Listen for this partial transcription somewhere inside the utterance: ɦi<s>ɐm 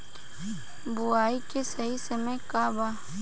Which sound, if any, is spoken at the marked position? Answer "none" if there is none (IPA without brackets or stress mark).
s